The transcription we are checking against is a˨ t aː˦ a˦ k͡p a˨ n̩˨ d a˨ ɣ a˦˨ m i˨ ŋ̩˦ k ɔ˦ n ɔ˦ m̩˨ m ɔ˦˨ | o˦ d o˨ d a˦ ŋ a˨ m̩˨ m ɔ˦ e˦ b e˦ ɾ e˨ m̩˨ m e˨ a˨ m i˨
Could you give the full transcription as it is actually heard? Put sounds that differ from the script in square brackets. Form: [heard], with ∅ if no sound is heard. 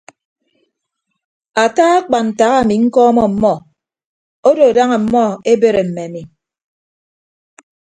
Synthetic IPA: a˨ t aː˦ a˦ k͡p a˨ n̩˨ [t] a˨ ɣ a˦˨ m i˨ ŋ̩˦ k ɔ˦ [m] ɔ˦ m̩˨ m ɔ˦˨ | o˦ d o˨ d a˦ ŋ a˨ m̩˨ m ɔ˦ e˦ b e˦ ɾ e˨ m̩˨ m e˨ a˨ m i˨